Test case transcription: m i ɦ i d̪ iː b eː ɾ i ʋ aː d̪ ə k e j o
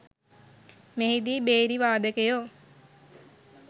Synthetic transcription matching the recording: m e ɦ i d̪ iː b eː ɾ i ʋ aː d̪ ə k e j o